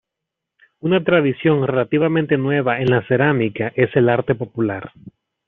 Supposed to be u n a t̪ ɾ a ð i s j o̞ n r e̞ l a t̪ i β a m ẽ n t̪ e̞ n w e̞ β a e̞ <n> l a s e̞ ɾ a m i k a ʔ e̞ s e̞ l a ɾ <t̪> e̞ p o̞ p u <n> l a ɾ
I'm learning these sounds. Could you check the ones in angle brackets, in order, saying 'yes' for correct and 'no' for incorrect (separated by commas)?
yes, yes, no